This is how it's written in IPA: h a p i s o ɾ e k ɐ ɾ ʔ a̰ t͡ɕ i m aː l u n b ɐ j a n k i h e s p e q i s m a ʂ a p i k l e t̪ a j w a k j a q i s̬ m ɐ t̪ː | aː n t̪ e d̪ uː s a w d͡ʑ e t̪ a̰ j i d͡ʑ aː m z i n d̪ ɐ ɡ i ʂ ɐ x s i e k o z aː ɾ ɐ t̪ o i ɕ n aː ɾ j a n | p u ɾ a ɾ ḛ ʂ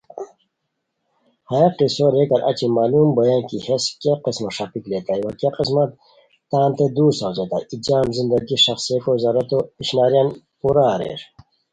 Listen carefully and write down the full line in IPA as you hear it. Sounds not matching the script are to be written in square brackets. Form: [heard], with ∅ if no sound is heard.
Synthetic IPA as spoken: h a [q] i s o ɾ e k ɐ ɾ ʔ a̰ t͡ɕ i m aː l u [m] b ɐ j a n k i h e s [k] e q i s m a ʂ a p i k l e t̪ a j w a k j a q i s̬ m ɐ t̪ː | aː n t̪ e d̪ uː s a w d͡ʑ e t̪ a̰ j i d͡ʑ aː m z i n d̪ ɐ ɡ i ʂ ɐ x s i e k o z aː ɾ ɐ t̪ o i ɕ n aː ɾ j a n | p u ɾ a ɾ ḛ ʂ